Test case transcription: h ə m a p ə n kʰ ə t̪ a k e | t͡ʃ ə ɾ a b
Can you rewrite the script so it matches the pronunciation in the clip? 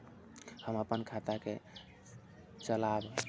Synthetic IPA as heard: h ə m ə p ə n kʰ a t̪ a k e | t͡ʃ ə l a b